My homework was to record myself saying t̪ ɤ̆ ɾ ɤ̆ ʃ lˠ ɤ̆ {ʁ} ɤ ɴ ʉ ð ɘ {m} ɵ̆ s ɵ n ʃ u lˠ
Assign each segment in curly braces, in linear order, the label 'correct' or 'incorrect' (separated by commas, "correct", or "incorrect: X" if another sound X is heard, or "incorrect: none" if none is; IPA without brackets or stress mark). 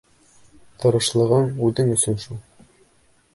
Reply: correct, incorrect: ŋ